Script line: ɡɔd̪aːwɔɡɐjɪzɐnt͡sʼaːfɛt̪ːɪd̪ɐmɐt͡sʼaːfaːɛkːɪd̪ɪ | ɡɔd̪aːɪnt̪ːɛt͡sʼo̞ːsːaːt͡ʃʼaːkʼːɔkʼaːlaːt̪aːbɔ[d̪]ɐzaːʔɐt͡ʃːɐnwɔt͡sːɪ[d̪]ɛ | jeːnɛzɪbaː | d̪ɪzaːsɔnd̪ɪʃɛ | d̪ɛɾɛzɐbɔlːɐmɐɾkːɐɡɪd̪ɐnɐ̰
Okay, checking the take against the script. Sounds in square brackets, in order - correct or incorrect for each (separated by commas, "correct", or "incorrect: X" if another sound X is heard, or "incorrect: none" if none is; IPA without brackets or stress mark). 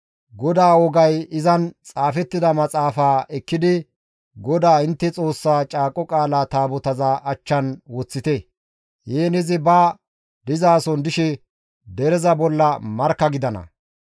incorrect: t̪, incorrect: t̪